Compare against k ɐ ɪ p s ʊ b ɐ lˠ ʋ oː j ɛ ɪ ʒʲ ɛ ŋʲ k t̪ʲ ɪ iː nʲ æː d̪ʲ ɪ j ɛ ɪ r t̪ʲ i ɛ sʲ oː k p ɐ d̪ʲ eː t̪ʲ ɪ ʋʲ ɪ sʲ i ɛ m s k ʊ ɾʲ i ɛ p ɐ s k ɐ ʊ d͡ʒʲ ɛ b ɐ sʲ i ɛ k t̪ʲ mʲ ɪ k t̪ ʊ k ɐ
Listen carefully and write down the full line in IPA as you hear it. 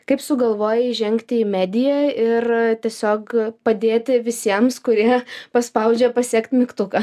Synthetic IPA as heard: k ɐ ɪ p s ʊ ɡ ɐ lˠ ʋ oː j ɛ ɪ ʒʲ ɛ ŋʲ k t̪ʲ ɪ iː mʲ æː d̪ʲ ɪ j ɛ ɪ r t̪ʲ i ɛ sʲ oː k p ɐ d̪ʲ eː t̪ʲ ɪ ʋʲ ɪ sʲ i ɛ m s k ʊ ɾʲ i ɛ p ɐ s p ɐ ʊ d͡ʒʲ ɛ p ɐ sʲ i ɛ k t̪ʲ mʲ ɪ k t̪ ʊ k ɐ